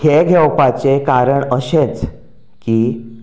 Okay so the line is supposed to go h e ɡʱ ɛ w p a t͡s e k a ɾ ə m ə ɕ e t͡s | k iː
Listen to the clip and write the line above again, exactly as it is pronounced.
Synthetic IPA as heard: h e ɡʱ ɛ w p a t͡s e k a ɾ ə ɳ ə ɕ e t͡s | k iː